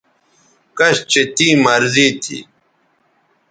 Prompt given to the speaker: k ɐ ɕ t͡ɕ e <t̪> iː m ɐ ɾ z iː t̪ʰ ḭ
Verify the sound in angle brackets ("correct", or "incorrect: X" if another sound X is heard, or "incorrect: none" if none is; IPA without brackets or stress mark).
correct